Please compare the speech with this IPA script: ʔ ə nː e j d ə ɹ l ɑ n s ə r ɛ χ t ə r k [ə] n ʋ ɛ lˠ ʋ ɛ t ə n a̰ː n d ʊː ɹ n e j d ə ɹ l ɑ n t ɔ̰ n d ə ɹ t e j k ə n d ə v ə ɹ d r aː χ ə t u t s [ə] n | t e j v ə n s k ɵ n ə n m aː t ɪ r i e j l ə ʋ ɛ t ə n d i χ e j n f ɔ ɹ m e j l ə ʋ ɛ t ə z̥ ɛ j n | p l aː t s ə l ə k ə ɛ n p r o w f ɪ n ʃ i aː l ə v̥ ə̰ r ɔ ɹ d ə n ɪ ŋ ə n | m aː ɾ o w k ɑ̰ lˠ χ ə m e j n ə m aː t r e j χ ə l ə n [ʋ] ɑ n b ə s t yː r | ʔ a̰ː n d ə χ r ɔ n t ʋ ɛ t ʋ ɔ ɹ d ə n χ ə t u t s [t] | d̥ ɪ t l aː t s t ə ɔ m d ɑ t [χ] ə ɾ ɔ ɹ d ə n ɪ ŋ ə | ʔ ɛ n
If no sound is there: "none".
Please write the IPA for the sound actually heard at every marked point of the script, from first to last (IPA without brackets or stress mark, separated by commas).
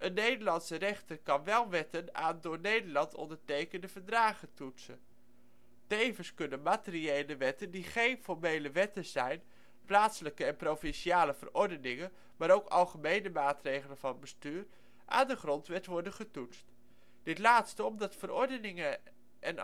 ɑ, ə, v, t, f